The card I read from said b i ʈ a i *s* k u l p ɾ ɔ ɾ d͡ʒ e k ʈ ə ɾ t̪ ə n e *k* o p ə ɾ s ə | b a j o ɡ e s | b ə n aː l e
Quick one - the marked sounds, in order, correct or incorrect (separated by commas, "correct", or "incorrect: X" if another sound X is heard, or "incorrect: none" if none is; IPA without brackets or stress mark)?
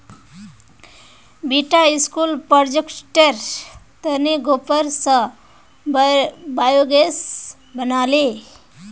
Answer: correct, incorrect: ɡ